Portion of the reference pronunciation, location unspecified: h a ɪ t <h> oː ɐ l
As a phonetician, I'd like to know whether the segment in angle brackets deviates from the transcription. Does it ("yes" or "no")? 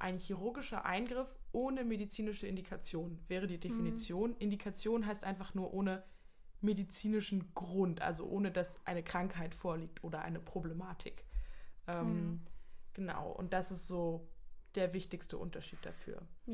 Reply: yes